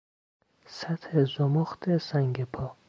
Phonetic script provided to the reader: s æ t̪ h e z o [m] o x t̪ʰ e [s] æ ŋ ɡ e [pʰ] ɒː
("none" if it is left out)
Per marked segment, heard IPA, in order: m, s, pʰ

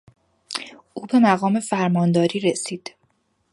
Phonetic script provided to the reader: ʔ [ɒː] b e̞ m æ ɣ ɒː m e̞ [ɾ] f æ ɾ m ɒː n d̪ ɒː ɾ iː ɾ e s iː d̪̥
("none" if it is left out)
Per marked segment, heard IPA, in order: uː, none

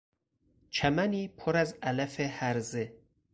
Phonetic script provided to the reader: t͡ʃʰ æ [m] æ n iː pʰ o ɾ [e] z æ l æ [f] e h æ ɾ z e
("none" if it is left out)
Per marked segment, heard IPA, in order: m, æ, f

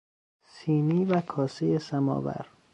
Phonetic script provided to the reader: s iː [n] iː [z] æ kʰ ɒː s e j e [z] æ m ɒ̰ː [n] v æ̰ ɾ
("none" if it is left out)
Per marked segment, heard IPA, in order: n, v, s, none

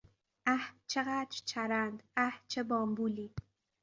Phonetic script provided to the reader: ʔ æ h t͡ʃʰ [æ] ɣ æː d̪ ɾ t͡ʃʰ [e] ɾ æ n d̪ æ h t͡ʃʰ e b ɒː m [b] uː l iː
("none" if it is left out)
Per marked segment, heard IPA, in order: e, æ, b

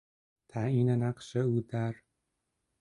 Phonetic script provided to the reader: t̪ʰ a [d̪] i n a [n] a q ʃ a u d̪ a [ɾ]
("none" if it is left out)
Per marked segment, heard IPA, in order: none, n, ɾ

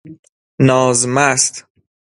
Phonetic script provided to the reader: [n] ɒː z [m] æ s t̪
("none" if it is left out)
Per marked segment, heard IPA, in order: n, m

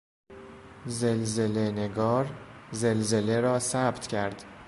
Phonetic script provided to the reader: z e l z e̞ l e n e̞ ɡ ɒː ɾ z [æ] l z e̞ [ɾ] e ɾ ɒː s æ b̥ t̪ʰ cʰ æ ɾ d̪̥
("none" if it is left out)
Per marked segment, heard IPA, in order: e, l

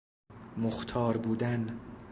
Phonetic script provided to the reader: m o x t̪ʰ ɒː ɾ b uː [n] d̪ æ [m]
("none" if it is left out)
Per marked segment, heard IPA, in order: none, n

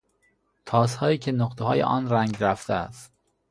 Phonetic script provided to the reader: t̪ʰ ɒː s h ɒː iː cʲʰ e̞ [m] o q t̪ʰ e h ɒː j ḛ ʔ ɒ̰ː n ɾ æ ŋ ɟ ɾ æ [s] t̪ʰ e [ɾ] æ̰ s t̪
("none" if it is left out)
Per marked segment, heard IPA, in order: n, f, none

